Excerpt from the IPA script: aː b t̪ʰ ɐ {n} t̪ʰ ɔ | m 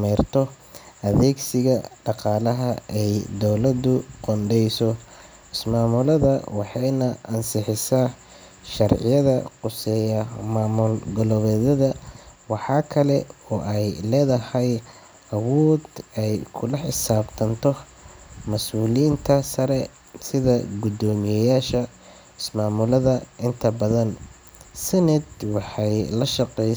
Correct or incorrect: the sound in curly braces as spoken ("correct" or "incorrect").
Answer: correct